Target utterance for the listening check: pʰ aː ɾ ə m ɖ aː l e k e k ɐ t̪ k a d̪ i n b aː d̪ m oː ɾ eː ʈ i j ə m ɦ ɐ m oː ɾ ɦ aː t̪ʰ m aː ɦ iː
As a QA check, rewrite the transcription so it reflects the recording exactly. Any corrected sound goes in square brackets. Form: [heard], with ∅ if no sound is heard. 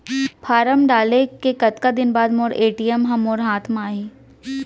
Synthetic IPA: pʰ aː ɾ ə m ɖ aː l e k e k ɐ t̪ k a d̪ [ɪ] n b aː d̪ m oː ɾ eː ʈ i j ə m ɦ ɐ m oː ɾ ɦ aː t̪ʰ m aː ɦ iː